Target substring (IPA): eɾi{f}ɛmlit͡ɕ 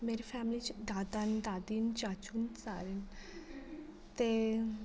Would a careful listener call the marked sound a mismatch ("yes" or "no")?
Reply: no